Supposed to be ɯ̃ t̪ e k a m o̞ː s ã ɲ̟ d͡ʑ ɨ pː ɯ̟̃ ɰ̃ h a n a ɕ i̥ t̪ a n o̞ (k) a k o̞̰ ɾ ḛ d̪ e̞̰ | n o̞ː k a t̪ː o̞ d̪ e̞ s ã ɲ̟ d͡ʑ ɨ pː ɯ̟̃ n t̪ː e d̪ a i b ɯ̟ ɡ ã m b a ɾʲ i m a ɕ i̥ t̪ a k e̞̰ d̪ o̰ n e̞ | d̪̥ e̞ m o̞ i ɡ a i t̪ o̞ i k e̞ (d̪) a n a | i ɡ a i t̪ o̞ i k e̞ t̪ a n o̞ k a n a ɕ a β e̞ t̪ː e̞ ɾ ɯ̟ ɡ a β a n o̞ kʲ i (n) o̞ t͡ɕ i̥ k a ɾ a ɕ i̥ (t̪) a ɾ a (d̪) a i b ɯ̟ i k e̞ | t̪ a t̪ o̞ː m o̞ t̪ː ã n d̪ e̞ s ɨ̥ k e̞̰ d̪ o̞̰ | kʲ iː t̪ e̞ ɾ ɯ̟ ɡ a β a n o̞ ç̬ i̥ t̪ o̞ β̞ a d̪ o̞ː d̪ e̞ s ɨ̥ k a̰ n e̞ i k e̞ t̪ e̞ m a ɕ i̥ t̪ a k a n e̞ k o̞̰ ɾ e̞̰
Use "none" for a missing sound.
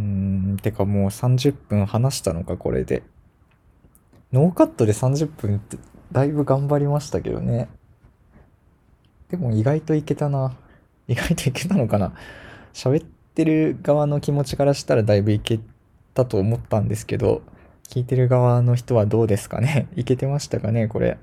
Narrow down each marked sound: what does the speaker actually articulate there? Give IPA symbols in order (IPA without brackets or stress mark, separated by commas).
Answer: k, t̪, m, t̪, d̪